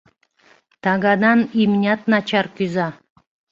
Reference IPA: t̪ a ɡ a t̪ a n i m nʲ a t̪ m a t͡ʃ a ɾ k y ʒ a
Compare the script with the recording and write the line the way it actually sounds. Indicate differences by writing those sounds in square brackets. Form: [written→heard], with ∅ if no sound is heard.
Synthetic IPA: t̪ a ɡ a [t̪→d̪] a n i m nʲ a t̪ [m→n] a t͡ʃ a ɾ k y [ʒ→z] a

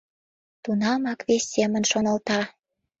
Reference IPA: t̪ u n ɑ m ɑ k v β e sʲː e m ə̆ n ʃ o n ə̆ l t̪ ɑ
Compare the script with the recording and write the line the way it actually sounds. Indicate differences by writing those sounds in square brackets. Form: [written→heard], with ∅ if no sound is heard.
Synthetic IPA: t̪ u n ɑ m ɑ k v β e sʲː e m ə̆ n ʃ o n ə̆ l t̪ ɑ

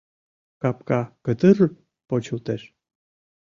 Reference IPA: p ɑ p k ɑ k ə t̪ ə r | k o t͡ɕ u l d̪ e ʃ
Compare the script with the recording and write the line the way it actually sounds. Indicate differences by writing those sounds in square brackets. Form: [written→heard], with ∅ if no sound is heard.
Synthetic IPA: [p→k] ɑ p k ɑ k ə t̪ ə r | [k→p] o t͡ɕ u l [d̪→t̪] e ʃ

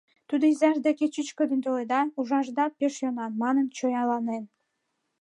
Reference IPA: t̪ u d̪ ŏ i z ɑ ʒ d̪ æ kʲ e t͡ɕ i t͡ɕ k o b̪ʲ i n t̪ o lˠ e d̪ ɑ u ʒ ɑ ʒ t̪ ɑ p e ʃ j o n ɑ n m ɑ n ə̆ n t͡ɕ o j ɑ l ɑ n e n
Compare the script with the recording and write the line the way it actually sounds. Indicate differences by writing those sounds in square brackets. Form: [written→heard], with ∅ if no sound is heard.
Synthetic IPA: t̪ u d̪ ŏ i z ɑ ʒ d̪ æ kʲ e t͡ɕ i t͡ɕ k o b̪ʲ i n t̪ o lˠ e d̪ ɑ u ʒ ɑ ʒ [t̪→d̪] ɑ p e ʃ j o n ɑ n m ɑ n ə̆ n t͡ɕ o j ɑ l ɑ n e n

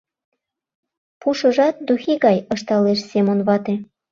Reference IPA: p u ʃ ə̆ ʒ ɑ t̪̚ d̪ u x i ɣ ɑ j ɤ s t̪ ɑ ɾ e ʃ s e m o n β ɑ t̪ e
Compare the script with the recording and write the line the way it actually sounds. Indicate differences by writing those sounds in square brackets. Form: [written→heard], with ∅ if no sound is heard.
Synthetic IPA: p u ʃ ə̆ ʒ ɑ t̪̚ d̪ u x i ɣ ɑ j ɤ [s→ʃ] t̪ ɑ [ɾ→l] e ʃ s e m o n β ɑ t̪ e

